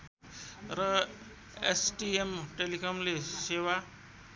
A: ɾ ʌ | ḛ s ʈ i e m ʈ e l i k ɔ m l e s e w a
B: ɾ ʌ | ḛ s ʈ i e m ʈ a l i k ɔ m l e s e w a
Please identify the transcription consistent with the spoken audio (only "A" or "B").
A